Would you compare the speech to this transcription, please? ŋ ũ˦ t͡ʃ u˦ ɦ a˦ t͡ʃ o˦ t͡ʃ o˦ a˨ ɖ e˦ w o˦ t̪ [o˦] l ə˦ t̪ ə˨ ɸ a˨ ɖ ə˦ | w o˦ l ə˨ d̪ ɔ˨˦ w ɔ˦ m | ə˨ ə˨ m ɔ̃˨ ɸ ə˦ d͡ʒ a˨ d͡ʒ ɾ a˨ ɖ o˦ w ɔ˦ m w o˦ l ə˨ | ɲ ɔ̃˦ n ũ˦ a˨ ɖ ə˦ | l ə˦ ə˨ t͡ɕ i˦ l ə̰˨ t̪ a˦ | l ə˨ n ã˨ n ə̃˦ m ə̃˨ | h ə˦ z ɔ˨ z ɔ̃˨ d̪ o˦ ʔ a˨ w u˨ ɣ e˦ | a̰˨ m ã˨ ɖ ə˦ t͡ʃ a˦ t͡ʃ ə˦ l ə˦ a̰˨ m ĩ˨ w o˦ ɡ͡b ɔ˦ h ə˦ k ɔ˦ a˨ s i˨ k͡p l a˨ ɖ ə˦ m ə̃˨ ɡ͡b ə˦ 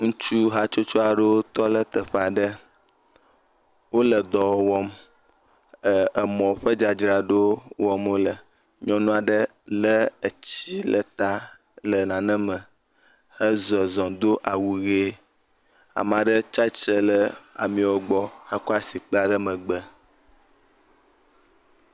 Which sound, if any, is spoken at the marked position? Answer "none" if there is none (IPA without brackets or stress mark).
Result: ɔ˦